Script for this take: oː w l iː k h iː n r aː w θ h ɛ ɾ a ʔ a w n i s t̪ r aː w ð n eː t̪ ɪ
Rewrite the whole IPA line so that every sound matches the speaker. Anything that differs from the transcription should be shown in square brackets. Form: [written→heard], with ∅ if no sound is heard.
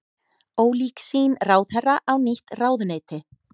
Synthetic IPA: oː w l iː k [h→s] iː n r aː w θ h ɛ [ɾ→r] a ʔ a w n i [s→h] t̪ r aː w ð n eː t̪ ɪ